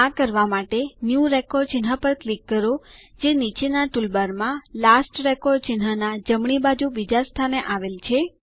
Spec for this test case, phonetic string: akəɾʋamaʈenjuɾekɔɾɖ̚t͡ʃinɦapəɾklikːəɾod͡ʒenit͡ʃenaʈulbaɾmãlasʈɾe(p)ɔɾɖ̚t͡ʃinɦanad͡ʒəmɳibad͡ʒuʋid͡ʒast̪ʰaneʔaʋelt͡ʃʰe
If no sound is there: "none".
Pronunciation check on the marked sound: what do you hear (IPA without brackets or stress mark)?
k